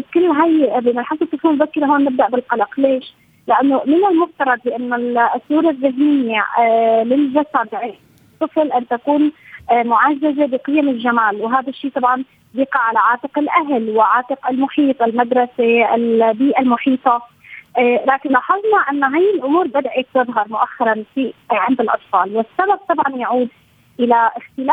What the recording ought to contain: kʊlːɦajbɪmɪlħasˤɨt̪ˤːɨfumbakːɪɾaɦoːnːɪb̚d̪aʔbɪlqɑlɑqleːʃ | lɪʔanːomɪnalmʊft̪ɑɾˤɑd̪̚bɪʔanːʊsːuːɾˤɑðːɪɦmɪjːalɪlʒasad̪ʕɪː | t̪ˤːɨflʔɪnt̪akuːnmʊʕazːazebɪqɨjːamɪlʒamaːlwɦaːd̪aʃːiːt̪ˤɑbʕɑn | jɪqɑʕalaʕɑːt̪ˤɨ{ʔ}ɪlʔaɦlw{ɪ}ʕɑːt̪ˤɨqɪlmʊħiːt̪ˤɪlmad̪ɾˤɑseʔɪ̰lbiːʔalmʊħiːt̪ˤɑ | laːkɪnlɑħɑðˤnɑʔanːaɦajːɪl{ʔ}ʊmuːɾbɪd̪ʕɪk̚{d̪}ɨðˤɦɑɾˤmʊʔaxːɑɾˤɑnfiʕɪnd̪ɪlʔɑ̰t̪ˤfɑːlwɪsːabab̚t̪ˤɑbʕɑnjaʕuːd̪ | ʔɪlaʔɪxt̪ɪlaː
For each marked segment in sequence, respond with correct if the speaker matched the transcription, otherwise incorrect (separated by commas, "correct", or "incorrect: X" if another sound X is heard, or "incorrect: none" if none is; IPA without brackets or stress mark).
incorrect: q, correct, correct, incorrect: t̪